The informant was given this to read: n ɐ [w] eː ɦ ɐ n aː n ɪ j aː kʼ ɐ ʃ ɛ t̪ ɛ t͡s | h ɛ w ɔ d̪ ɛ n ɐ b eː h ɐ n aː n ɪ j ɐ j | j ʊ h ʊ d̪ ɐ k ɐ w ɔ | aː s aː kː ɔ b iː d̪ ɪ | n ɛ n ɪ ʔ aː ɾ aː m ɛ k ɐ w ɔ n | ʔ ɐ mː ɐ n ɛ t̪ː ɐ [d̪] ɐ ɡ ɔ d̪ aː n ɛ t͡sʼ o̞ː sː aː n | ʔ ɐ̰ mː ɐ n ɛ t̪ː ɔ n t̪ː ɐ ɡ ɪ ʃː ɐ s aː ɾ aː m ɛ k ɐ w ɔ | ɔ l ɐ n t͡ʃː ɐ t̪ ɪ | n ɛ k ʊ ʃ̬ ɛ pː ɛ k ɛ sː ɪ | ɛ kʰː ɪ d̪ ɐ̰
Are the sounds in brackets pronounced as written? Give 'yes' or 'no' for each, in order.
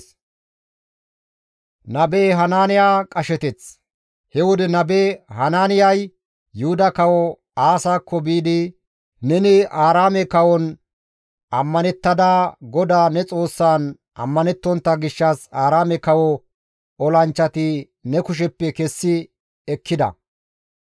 no, yes

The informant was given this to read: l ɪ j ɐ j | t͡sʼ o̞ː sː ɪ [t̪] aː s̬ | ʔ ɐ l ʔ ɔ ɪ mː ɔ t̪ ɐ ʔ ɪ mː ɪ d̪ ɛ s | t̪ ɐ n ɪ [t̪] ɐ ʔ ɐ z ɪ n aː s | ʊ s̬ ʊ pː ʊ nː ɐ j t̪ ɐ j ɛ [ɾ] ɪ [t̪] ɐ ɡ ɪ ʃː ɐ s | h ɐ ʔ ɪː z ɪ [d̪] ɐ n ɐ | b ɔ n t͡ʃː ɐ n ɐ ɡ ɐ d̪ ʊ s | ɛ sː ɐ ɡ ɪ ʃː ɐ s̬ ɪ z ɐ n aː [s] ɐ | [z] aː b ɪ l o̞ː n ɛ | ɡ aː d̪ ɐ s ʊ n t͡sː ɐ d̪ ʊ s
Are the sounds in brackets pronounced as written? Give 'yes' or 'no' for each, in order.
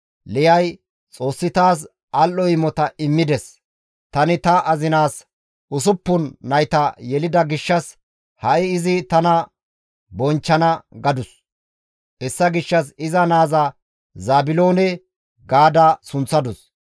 yes, yes, no, no, no, no, yes

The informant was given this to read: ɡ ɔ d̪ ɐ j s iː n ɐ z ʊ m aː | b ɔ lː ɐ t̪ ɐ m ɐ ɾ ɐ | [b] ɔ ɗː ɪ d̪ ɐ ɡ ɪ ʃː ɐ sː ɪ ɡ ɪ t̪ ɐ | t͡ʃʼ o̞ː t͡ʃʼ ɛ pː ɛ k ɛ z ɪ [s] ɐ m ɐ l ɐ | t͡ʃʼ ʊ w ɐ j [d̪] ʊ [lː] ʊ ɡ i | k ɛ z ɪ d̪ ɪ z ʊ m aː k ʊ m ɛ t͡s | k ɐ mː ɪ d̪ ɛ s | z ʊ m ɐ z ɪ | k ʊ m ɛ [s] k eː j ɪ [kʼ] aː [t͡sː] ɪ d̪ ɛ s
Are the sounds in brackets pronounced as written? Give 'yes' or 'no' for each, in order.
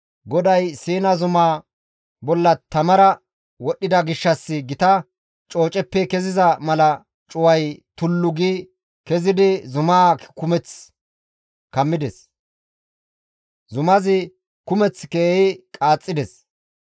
no, no, no, yes, no, yes, no

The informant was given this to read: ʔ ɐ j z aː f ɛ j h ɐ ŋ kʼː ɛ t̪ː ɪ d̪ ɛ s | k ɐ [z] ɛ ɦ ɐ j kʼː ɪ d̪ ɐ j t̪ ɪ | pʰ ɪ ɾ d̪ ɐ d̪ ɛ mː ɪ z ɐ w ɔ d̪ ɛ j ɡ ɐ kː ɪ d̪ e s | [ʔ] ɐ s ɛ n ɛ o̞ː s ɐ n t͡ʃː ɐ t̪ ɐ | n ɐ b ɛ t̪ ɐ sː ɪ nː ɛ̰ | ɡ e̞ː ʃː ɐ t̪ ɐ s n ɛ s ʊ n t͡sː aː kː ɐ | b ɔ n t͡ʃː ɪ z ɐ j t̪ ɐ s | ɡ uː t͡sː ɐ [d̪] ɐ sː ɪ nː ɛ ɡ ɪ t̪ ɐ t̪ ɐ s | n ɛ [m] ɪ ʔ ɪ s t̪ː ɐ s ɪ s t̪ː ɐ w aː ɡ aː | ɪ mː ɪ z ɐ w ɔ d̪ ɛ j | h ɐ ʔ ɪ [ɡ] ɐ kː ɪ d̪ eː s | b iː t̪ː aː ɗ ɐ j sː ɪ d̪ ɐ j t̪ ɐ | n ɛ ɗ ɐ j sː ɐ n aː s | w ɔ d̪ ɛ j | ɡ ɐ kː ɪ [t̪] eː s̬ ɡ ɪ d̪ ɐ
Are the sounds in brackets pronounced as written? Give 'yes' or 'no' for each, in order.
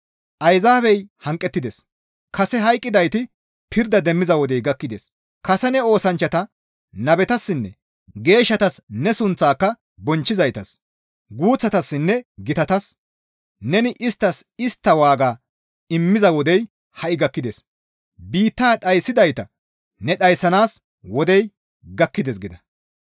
no, no, no, no, yes, no

